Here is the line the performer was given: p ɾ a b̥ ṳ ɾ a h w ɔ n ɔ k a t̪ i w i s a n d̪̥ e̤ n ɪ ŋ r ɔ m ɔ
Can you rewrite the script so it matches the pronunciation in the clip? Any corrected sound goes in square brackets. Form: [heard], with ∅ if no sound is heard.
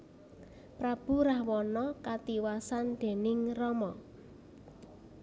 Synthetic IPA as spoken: p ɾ a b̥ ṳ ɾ a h w ɔ n ɔ k a t̪ i w [a] s a n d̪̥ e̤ n ɪ ŋ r ɔ m ɔ